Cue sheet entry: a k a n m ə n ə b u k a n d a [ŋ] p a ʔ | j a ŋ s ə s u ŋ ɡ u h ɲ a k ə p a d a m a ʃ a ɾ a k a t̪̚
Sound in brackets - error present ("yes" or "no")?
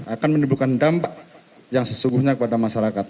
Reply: yes